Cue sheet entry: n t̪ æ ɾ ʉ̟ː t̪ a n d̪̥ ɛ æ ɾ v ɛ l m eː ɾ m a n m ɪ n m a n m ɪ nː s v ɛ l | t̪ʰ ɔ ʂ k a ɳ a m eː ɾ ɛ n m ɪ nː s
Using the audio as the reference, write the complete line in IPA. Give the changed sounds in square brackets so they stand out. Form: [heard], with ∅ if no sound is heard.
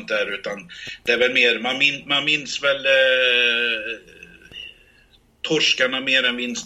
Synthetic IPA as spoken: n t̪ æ ɾ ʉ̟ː t̪ a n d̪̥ ɛ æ ɾ v ɛ l m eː ɾ m a n m ɪ n m a n m ɪ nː s v ɛ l | t̪ʰ ɔ ʂ k a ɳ a m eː ɾ ɛ n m ɪ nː s